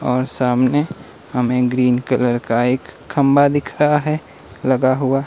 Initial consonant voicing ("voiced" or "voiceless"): voiced